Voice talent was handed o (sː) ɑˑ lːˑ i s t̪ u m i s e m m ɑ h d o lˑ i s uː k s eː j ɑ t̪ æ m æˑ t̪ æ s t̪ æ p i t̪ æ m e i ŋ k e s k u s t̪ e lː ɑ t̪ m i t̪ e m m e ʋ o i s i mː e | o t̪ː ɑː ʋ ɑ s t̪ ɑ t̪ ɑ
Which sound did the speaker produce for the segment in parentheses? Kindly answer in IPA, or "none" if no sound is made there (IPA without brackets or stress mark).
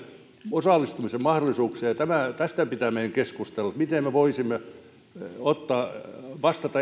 s